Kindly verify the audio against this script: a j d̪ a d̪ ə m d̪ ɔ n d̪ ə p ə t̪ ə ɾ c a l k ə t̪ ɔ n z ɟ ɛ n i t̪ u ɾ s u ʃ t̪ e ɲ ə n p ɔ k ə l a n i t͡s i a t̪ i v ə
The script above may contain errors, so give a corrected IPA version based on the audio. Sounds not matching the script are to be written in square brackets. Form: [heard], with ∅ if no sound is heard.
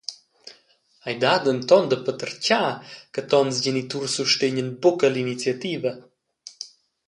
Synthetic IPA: a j d̪ a d̪ ə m [t̪] ɔ n d̪ ə p ə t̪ ə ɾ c a [∅] k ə t̪ ɔ n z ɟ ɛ n i t̪ u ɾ s u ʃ t̪ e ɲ ə n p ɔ k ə l [i] n i t͡s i a t̪ i v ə